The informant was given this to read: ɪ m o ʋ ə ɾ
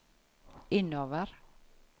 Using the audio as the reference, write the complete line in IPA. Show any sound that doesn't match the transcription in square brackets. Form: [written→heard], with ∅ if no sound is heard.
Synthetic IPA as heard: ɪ [m→n] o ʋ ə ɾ